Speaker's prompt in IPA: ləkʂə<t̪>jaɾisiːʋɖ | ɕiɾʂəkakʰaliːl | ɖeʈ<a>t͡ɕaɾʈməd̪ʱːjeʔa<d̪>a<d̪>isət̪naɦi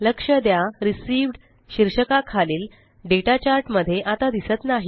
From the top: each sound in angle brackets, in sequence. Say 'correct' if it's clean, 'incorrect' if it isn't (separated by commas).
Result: incorrect, correct, incorrect, correct